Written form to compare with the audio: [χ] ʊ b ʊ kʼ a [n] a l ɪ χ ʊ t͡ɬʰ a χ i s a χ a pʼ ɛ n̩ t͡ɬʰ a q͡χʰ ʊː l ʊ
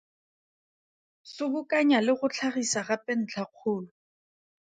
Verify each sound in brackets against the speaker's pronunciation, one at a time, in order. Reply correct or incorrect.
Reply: incorrect: s, incorrect: ɲ

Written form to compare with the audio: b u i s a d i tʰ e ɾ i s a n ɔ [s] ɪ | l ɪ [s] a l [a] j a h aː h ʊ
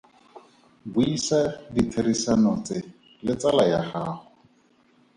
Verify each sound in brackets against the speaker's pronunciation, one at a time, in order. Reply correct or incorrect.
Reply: incorrect: t͡s, incorrect: t͡s, correct

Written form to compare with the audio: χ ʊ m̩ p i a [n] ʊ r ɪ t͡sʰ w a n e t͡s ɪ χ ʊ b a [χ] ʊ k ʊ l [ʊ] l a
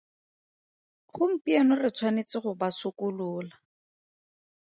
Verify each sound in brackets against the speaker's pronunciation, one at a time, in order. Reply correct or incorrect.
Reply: correct, incorrect: s, incorrect: ʊː

